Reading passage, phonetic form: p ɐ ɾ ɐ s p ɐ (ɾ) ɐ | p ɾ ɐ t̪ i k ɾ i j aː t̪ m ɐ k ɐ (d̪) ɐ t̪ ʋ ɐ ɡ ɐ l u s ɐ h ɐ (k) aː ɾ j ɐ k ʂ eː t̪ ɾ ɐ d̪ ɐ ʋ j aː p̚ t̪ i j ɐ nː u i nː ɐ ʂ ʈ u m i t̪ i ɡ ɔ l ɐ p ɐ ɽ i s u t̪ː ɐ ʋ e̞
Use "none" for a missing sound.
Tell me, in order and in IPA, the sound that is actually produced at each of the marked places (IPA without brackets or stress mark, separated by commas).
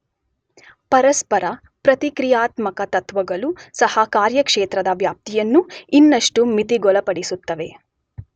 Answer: ɾ, t̪, k